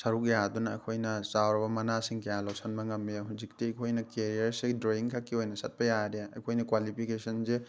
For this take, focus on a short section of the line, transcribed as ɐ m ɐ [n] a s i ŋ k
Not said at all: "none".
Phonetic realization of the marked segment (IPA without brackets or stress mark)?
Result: n